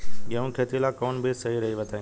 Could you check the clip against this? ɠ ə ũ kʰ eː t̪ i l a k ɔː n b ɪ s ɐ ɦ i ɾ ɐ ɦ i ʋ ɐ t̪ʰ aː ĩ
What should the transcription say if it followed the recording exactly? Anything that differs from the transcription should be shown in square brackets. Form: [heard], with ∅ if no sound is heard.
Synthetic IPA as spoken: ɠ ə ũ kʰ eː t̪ i l a k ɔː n b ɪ s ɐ ɦ i ɾ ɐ ɦ i ʋ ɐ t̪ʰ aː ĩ